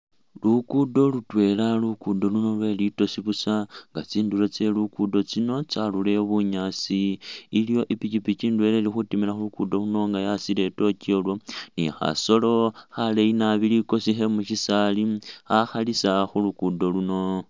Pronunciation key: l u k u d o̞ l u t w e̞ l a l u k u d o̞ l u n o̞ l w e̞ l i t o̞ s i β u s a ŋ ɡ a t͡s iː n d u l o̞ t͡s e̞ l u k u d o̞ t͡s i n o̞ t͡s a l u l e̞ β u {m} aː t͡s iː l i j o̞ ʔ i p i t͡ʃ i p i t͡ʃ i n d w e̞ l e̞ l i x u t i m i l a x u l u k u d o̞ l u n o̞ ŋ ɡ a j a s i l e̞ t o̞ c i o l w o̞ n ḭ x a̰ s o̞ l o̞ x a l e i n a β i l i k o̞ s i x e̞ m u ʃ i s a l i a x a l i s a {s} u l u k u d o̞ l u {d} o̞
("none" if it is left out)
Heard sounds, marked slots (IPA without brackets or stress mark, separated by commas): ɲ, x, n